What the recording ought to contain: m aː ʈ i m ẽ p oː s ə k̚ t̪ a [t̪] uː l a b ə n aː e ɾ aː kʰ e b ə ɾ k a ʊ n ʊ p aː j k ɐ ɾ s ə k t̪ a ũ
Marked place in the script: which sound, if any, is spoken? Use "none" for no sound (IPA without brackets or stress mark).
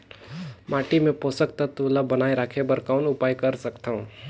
t̪